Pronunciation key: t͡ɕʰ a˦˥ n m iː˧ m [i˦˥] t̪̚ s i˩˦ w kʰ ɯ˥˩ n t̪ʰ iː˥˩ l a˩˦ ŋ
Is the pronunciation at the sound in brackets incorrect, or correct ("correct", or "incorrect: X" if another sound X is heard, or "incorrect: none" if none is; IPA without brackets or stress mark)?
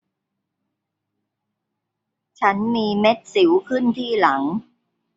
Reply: incorrect: e˦˥